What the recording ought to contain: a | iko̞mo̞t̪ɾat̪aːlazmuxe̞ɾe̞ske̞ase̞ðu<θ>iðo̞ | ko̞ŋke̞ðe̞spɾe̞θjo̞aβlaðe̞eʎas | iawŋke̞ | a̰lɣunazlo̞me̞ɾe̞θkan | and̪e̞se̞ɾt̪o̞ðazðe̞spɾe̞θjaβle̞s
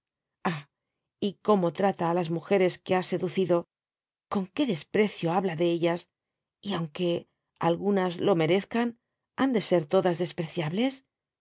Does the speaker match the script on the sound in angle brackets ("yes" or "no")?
yes